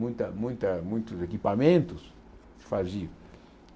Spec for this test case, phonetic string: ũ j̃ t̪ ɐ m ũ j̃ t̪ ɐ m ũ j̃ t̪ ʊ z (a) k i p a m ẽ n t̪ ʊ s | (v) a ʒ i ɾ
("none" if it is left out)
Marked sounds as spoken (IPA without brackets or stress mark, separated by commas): e, f